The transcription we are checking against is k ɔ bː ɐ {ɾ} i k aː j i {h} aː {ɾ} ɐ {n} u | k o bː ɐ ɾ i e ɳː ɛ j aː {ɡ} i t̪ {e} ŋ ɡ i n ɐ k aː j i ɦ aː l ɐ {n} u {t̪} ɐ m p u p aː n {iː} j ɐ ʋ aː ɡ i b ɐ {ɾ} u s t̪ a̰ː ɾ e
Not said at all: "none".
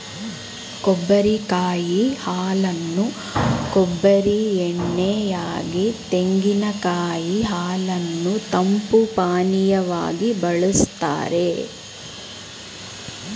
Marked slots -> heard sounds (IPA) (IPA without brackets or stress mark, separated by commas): ɾ, h, l, nː, ɡ, e, nː, t̪, i, ɭ